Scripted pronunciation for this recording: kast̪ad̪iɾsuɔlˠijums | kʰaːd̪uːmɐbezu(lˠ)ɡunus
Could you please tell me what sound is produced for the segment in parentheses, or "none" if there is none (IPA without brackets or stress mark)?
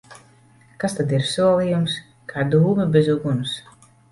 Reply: none